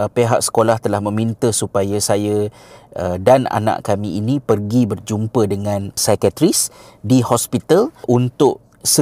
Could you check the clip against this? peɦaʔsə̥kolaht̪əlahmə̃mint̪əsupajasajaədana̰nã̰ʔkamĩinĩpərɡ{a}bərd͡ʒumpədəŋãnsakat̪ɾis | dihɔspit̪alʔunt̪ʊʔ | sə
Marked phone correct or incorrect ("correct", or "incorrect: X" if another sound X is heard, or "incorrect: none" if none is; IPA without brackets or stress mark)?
incorrect: i